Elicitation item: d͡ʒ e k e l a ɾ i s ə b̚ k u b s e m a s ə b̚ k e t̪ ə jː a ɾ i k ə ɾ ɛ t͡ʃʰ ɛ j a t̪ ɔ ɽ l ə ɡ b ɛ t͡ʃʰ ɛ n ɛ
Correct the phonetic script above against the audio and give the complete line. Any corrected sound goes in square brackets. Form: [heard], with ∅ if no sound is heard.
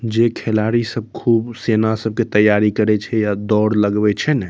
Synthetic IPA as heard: d͡ʒ e [kʰ] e l a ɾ i s ə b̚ [kʰ] u b s e [n] a s ə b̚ k e t̪ ə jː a ɾ i k ə ɾ ɛ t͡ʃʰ ɛ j a [d̪] ɔ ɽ l ə ɡ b ɛ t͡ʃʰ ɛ n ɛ